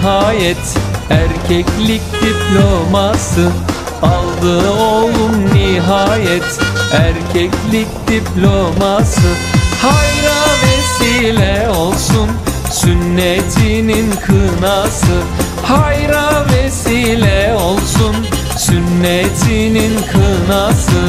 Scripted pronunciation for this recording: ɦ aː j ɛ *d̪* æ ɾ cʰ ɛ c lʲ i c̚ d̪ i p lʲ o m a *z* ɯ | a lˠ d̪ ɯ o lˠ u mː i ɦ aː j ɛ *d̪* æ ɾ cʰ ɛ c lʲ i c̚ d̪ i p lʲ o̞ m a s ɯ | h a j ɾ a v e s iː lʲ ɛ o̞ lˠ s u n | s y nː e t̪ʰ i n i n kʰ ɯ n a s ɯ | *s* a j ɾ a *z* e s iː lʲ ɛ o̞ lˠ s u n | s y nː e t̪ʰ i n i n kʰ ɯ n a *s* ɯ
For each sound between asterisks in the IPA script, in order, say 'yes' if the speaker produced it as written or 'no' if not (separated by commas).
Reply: no, no, no, no, no, yes